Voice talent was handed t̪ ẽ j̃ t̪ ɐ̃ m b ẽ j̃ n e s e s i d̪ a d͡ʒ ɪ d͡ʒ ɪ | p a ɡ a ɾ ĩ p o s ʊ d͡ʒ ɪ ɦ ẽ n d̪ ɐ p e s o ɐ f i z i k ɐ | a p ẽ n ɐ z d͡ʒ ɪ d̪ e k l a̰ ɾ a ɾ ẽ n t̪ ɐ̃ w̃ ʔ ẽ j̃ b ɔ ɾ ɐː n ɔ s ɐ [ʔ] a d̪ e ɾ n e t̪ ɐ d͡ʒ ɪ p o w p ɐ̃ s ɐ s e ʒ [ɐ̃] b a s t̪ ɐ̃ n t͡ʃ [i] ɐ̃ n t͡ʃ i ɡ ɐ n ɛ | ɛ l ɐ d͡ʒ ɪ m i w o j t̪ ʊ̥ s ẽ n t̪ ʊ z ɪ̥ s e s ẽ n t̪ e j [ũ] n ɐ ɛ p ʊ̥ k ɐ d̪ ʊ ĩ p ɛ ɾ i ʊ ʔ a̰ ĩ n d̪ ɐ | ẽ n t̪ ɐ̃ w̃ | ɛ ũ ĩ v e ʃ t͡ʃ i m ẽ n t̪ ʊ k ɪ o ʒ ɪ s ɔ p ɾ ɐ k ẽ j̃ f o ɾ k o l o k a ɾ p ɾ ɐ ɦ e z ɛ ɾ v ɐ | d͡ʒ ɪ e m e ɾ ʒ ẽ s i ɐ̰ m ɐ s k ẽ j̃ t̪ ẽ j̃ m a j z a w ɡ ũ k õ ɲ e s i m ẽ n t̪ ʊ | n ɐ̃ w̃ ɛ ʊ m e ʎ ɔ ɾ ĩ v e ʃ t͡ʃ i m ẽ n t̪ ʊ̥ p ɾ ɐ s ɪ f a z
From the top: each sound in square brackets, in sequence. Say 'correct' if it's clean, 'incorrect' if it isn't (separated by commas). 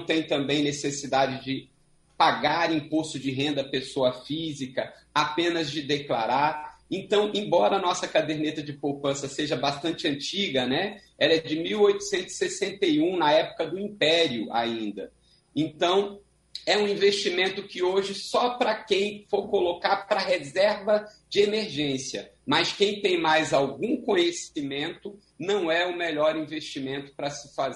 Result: incorrect, incorrect, incorrect, correct